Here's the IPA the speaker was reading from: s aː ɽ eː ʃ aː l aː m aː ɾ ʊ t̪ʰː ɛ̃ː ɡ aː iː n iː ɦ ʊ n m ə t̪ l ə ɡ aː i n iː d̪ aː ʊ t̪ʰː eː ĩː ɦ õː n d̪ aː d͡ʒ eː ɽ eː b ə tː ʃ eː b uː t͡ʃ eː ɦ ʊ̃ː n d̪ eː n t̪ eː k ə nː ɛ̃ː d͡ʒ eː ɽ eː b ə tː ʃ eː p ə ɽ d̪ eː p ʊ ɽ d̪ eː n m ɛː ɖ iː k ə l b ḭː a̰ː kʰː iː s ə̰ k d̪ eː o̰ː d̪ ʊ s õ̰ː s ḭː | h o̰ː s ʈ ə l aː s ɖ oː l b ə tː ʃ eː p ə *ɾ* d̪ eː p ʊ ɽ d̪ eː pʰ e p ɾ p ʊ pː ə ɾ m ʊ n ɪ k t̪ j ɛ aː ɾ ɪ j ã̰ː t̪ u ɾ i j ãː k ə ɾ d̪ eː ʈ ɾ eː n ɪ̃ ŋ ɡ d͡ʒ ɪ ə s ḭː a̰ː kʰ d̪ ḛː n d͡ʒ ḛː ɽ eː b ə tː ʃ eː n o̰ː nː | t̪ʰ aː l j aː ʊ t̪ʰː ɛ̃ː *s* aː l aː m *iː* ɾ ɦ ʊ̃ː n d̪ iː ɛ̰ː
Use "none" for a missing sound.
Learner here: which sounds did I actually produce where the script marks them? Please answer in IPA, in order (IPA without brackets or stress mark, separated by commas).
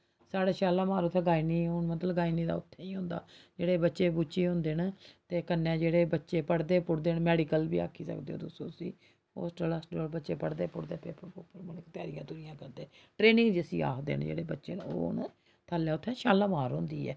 ɽ, ʃ, aː